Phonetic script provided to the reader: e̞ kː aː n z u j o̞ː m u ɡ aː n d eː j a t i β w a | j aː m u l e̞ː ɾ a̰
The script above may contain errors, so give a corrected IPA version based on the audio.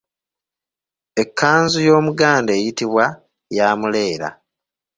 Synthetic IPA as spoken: e̞ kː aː n z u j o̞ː m u ɡ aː n d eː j i t i β w a | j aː m u l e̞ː ɾ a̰